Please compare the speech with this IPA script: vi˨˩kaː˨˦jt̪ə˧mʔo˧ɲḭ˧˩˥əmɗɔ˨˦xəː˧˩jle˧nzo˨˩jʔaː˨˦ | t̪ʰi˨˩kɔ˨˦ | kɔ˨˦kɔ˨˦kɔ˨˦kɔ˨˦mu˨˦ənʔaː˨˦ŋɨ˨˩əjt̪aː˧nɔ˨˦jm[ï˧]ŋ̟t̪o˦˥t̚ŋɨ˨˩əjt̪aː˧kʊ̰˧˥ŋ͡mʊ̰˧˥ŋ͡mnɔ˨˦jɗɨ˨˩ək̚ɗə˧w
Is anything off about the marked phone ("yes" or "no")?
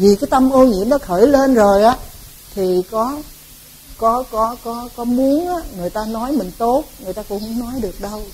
yes